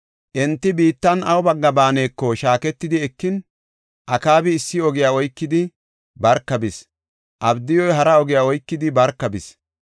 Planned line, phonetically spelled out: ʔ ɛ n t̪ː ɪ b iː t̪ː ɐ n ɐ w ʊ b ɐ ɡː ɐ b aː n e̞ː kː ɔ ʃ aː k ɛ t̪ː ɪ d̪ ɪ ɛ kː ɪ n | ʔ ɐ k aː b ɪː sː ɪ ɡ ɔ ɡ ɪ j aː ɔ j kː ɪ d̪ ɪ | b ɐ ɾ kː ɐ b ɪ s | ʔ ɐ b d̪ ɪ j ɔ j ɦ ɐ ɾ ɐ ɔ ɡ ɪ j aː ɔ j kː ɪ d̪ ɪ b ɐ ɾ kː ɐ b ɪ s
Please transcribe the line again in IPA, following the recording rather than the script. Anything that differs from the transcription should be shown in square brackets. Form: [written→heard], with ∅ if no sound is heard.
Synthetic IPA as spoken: ʔ ɛ n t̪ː ɪ b iː t̪ː ɐ n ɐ w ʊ b ɐ ɡː ɐ b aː n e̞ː kː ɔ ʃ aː k ɛ t̪ː ɪ d̪ ɪ ɛ kː ɪ n | ʔ ɐ k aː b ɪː sː ɪ [ɡ→∅] ɔ ɡ ɪ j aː ɔ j kː ɪ d̪ ɪ | b ɐ ɾ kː ɐ b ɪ s | ʔ ɐ b d̪ ɪ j ɔ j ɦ ɐ ɾ ɐ ɔ ɡ ɪ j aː ɔ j kː ɪ d̪ ɪ b ɐ ɾ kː ɐ b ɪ s